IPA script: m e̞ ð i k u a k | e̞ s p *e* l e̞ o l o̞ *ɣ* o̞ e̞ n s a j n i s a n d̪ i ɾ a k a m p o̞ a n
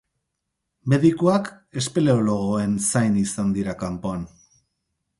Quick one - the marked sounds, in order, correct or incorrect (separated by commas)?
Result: correct, correct